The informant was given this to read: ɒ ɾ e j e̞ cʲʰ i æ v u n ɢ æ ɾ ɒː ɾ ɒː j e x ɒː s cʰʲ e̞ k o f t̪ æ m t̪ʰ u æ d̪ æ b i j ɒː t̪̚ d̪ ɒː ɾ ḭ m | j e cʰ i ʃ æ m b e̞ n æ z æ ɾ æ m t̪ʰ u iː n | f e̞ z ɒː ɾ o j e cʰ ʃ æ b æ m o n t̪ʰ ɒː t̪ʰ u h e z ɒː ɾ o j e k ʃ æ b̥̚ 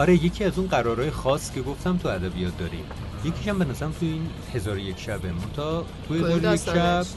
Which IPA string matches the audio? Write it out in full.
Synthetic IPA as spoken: ɒ ɾ e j e̞ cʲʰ i æ z u n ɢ æ ɾ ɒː ɾ ɒː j e x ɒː s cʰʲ e̞ ɡ o f t̪ æ m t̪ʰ u æ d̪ æ b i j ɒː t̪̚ d̪ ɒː ɾ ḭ m | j e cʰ i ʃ æ m b e̞ n æ z æ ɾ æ m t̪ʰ u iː n | h e̞ z ɒː ɾ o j e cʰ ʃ æ b e m o n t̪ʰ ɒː t̪ʰ u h e z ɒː ɾ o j e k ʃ æ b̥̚